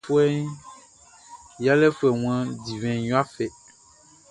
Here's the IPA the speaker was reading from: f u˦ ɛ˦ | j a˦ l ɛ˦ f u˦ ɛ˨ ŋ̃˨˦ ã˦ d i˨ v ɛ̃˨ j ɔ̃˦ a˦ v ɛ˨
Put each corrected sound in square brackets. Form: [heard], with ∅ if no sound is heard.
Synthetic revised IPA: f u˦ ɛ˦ | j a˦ l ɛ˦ f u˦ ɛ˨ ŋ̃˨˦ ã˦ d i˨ v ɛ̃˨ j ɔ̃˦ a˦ [f] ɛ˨